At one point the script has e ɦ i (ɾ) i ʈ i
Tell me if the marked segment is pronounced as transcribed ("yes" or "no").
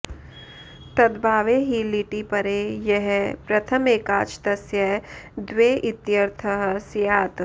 no